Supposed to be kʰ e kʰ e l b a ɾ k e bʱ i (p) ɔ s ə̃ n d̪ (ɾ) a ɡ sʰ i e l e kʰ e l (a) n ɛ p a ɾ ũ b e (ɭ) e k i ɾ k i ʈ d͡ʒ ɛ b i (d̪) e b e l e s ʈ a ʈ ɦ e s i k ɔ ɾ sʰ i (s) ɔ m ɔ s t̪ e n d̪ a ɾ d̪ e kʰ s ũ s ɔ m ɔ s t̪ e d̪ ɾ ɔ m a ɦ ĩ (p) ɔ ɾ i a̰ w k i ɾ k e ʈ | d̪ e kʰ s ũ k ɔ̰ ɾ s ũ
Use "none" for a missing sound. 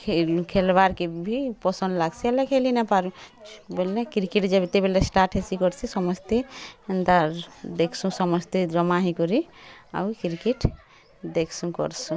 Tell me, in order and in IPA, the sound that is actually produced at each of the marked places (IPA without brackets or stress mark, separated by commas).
p, l, i, l, t̪, s, k